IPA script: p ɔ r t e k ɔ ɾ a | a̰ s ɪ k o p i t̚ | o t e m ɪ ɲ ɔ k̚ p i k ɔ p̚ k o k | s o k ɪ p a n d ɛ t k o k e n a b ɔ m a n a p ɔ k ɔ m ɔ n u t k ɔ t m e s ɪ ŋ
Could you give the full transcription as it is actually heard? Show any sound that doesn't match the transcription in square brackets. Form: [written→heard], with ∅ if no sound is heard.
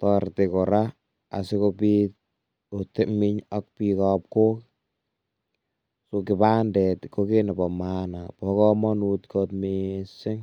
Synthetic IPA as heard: [p→t] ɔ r t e k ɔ ɾ a | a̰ s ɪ k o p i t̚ | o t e m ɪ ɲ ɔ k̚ p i k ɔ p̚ k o k | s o k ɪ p a n d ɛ t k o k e n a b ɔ m a n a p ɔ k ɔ m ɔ n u t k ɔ t m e s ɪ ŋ